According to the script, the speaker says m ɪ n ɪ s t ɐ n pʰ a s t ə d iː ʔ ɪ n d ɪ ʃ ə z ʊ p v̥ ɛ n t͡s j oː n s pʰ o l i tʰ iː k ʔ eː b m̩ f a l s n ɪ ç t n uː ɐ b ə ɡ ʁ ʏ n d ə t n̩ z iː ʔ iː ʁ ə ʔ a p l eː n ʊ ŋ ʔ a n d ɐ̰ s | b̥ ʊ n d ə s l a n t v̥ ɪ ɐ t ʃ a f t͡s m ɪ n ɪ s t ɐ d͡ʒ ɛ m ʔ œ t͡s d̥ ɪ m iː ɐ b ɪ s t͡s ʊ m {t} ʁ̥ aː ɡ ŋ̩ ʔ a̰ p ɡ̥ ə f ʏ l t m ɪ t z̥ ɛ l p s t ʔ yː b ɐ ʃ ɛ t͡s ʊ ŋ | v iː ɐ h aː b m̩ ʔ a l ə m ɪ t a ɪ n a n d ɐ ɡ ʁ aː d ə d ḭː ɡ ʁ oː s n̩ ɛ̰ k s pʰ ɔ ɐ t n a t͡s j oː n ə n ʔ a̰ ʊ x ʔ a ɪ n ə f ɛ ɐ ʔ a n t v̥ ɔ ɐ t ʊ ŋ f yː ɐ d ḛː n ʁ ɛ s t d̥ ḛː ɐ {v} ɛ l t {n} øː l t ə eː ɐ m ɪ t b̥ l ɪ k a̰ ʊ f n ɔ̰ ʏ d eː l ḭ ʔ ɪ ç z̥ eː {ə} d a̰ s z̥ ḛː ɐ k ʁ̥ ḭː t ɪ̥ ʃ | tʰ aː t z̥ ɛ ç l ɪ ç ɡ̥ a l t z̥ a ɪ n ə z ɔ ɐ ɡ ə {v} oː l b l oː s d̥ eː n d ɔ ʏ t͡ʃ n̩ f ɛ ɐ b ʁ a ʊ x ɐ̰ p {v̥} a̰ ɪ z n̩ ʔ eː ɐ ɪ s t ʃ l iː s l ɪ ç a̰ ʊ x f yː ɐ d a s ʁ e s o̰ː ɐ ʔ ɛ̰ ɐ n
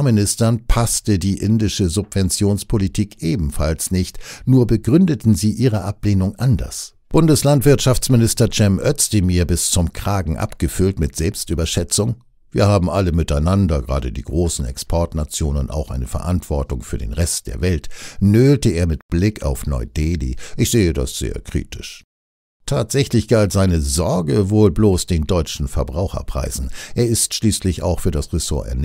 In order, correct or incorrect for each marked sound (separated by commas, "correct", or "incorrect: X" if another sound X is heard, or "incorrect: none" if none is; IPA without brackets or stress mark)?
incorrect: k, correct, correct, correct, correct, incorrect: ʁ̥